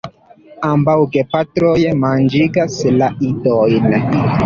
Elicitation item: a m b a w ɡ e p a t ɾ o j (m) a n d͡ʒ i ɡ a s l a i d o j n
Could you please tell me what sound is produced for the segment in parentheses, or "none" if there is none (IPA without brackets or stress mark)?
m